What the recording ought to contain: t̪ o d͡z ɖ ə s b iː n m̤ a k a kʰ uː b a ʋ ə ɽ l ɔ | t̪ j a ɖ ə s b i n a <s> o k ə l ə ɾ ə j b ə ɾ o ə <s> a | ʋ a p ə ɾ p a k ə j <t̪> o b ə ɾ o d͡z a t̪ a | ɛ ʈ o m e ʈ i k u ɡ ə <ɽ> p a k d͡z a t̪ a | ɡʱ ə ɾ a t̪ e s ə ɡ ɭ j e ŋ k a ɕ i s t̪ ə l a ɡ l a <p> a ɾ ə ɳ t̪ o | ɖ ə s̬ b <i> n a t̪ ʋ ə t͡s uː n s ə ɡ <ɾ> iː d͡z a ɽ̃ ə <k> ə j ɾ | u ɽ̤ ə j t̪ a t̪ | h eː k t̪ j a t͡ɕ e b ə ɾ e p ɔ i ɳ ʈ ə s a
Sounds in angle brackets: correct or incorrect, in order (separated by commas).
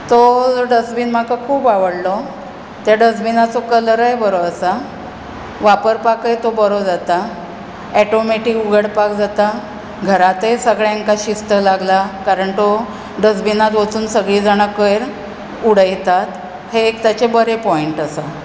incorrect, correct, correct, correct, incorrect, correct, incorrect, correct